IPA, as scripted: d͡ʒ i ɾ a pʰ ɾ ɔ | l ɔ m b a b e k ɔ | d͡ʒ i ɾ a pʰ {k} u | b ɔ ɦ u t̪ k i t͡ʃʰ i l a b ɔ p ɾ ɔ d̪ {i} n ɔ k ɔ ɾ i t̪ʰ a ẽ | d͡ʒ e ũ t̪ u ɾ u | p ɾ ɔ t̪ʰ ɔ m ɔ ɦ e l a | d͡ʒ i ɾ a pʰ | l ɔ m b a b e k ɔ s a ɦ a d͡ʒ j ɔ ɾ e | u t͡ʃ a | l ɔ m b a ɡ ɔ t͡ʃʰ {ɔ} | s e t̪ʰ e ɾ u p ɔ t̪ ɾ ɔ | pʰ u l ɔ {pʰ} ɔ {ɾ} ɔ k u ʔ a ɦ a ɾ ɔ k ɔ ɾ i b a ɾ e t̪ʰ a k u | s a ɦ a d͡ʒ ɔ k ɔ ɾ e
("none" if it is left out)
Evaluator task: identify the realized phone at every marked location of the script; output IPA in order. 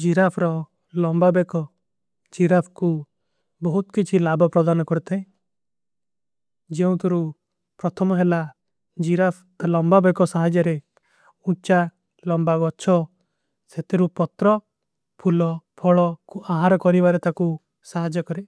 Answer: k, a, ɔ, pʰ, ɭ

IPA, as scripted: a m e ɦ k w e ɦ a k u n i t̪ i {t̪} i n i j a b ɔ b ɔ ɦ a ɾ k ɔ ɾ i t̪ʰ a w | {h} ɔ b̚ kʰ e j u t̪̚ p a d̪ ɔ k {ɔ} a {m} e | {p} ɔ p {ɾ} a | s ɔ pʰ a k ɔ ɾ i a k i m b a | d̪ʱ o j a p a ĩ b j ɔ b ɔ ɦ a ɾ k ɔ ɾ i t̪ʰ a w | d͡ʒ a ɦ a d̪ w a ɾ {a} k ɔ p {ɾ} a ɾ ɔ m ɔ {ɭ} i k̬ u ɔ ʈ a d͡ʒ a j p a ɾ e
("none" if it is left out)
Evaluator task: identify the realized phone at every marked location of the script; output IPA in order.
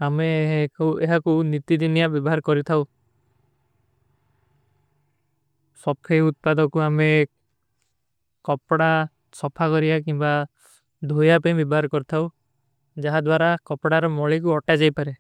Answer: d̪, s, u, m, k, ɽ, a, ɽ, ɭ

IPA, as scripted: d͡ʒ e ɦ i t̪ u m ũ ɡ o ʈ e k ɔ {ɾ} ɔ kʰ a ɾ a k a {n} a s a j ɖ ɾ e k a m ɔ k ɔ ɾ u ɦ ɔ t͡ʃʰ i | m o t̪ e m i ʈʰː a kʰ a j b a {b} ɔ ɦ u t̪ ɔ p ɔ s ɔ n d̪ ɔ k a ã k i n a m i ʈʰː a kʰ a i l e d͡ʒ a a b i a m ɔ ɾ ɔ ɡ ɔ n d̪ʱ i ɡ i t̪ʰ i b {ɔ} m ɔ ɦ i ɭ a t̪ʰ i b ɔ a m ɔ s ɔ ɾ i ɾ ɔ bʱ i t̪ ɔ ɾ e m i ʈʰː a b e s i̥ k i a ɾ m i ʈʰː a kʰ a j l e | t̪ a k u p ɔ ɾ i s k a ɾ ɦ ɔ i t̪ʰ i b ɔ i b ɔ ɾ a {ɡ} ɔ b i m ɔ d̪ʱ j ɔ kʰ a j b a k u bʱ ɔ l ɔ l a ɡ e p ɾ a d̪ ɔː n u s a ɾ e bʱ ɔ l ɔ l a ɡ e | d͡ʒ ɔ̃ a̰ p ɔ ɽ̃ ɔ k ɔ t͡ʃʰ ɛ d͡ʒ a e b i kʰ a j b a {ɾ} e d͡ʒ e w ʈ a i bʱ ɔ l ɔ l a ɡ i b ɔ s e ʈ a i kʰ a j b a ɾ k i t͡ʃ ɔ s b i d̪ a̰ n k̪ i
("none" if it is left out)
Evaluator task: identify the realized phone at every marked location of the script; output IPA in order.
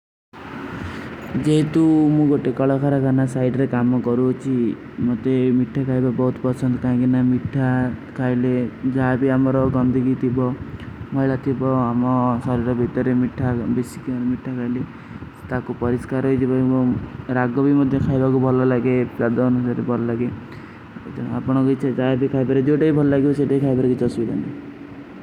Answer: ɭ, n, b, ɔ, ɡ, ɾ

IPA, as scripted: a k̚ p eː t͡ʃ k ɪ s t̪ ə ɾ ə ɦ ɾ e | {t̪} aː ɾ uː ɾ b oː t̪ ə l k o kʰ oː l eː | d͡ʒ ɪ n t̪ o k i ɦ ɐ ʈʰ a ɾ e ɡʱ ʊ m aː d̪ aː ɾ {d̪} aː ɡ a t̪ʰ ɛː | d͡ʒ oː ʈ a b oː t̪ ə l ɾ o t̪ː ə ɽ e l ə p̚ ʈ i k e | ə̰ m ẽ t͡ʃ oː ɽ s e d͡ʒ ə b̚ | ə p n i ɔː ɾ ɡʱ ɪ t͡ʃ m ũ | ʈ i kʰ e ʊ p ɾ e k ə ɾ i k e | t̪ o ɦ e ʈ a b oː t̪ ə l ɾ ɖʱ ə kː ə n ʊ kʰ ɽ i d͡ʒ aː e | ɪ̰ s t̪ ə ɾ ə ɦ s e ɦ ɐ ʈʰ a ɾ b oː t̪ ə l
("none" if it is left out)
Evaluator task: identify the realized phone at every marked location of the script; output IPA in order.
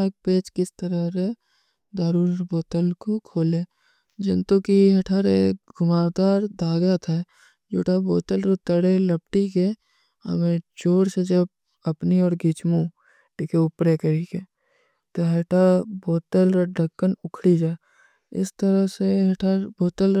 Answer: d̪, d̪

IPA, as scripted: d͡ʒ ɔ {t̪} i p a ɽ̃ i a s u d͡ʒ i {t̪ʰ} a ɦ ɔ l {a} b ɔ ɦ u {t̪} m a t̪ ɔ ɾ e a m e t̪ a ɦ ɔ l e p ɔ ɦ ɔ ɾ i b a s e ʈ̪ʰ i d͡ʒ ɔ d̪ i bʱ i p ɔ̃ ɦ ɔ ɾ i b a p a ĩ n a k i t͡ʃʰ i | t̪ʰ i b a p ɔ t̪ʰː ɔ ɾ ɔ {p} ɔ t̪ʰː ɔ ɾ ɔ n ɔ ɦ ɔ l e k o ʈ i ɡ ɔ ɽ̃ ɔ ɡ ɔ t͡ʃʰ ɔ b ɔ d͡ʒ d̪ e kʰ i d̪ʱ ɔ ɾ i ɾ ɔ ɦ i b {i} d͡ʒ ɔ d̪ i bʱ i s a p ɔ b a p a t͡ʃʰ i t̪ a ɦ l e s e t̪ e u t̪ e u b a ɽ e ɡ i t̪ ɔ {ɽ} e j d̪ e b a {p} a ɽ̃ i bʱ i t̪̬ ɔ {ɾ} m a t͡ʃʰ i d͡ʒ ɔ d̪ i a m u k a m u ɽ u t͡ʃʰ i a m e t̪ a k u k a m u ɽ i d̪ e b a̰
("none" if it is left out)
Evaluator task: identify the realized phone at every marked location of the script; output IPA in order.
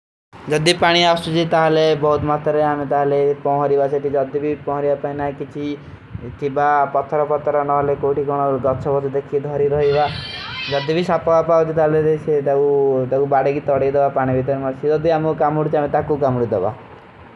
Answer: d̪, t̪, e, t̪, p, a, ɽ, p, ɾ

